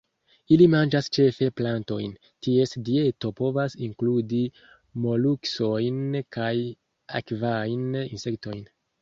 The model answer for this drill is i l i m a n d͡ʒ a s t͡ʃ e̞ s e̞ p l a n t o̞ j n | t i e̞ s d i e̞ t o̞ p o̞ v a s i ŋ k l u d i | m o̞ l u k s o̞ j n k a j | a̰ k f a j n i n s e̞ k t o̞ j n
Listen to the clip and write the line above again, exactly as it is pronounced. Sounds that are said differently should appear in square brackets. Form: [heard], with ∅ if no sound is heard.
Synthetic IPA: i l i m a n d͡ʒ a s t͡ʃ e̞ [f] e̞ p l a n t o̞ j n | t i e̞ s d i e̞ t o̞ p o̞ v a s i ŋ k l u d i | m o̞ l u k s o̞ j n k a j | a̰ k [v] a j n i n s e̞ k t o̞ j n